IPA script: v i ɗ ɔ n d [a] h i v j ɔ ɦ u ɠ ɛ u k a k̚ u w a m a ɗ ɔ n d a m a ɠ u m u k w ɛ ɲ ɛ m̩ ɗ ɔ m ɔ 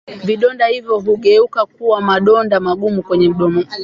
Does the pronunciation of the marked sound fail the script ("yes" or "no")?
no